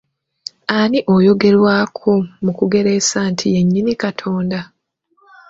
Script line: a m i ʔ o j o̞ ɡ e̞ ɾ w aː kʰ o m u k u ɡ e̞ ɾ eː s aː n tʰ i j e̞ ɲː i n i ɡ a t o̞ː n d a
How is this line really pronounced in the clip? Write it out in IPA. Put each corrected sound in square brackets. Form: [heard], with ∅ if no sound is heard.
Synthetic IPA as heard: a [n] i ʔ o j o̞ ɡ e̞ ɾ w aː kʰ o m u k u ɡ e̞ ɾ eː s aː n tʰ i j e̞ ɲː i n i [k] a [tʰ] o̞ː n d a